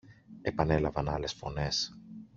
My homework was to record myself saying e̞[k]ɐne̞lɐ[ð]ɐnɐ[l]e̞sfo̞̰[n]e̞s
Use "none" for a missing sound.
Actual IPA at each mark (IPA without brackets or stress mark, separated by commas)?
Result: p, v, l, n